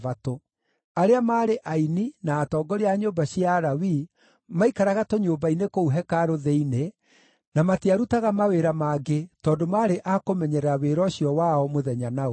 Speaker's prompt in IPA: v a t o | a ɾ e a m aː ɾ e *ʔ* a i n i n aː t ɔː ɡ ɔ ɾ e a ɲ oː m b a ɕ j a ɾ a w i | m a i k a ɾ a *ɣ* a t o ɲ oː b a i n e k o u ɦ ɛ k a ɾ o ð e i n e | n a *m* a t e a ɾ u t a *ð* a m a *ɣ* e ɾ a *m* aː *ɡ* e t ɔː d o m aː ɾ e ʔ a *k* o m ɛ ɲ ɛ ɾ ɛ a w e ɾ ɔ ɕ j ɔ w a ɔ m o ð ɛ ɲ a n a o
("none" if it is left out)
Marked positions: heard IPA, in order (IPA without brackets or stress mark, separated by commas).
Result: ʔ, ɣ, m, ɣ, w, m, ɡ, k